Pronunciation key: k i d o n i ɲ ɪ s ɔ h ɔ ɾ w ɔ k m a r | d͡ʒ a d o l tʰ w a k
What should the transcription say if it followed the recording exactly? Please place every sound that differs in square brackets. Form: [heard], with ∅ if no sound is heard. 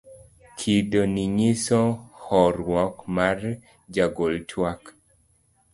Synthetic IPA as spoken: [kʰ] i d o n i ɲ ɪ s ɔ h ɔ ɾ w ɔ k m a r | d͡ʒ a [ɡ] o l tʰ w a k